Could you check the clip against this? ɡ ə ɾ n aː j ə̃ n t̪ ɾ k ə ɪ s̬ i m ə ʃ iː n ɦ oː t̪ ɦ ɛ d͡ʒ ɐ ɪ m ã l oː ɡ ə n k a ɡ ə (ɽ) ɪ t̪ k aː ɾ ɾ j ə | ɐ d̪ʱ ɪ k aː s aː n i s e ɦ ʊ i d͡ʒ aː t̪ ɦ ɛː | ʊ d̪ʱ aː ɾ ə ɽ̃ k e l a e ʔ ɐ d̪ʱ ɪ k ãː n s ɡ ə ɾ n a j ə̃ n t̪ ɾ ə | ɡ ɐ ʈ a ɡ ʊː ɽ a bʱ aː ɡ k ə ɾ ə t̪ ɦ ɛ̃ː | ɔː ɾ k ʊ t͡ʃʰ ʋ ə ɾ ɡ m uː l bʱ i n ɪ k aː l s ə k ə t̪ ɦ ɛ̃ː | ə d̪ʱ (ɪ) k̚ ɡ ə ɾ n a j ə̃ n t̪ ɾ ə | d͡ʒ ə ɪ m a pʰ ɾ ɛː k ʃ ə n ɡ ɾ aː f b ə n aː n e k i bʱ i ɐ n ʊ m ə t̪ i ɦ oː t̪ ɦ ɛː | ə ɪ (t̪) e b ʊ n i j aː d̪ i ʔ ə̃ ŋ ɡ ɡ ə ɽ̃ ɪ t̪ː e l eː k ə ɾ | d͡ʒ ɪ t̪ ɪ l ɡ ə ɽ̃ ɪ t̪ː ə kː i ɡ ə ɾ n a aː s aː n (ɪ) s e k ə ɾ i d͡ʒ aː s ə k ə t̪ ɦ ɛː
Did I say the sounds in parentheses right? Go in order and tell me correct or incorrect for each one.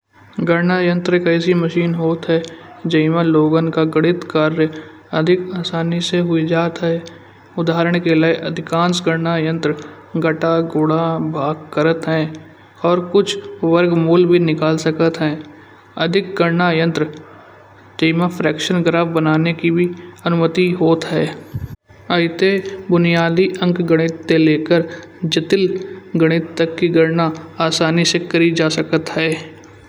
correct, correct, correct, incorrect: i

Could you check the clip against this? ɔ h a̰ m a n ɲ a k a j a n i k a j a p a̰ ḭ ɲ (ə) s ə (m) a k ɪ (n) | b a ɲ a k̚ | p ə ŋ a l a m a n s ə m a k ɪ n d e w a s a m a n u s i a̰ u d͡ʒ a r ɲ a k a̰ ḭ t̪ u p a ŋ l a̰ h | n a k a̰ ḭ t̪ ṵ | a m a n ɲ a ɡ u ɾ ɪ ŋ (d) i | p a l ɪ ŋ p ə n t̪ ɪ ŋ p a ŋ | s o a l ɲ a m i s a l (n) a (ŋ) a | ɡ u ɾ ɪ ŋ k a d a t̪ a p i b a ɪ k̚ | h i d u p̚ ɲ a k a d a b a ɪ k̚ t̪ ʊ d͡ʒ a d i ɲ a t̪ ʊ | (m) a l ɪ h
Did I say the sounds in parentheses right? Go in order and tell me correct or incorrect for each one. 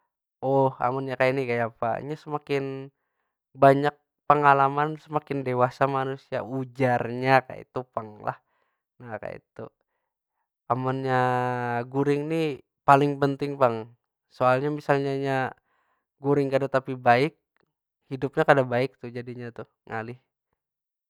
incorrect: a, correct, correct, incorrect: n, incorrect: ɲ, incorrect: ɲ, incorrect: ŋ

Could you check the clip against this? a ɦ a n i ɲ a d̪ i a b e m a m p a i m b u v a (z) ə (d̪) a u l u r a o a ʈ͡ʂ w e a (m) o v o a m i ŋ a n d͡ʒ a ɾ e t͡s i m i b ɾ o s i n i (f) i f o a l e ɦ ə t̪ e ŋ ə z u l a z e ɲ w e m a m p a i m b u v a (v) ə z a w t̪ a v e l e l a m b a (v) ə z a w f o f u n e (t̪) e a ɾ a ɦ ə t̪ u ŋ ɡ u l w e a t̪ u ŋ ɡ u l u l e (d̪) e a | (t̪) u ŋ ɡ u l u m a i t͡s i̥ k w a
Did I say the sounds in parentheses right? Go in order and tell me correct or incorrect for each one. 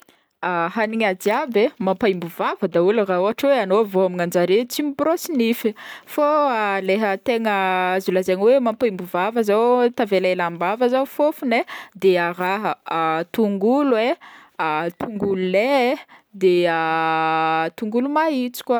incorrect: v, correct, incorrect: n, correct, correct, correct, incorrect: d̪, correct, correct

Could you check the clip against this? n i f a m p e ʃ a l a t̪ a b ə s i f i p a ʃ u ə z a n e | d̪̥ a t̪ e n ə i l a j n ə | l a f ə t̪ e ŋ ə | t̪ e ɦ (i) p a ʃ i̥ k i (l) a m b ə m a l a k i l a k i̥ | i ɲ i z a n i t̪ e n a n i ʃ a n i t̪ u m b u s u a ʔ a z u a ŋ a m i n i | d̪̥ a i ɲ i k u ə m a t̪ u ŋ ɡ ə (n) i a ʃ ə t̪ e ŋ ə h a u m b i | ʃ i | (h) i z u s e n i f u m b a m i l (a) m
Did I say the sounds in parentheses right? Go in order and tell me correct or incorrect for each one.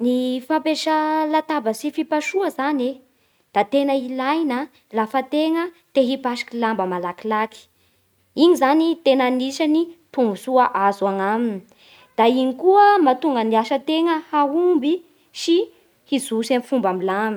correct, correct, correct, correct, correct

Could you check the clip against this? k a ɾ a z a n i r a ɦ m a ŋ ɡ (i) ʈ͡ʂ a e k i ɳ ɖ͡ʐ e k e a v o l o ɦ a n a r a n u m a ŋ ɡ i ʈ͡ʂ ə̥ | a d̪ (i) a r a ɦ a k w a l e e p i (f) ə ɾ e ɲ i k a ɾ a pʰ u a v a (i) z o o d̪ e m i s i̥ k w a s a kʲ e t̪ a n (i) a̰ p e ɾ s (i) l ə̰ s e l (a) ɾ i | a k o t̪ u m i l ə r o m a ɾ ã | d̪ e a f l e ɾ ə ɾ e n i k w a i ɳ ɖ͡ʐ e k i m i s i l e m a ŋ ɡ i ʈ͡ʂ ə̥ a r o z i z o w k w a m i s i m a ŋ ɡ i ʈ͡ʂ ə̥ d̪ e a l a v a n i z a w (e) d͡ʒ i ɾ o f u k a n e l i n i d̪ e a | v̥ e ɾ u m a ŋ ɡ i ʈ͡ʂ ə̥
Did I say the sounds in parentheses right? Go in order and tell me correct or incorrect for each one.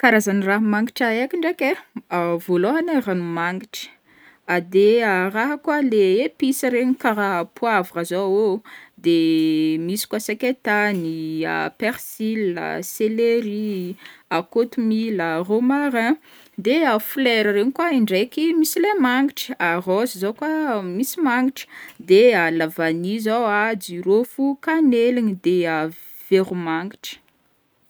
correct, incorrect: e, incorrect: s, incorrect: a, correct, correct, incorrect: e, incorrect: a

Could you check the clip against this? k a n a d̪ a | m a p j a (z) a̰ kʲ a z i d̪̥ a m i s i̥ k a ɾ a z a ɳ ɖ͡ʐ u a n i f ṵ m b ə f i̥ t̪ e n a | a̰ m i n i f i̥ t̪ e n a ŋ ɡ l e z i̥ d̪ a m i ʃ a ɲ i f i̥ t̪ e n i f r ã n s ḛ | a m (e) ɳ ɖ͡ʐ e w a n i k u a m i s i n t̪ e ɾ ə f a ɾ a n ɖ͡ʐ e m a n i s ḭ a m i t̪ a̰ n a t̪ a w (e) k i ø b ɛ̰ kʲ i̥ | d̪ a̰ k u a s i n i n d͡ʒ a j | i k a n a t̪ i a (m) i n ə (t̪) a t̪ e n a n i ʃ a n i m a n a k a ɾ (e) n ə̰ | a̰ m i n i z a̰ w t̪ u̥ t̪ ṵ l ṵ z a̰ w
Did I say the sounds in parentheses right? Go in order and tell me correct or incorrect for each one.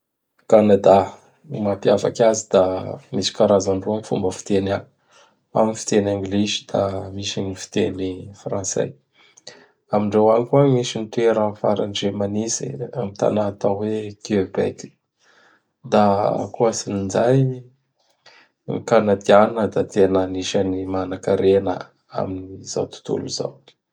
incorrect: v, incorrect: i, correct, incorrect: n, incorrect: d̪, correct

